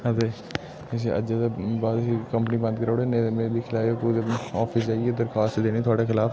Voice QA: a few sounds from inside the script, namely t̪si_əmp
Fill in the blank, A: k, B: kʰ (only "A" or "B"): A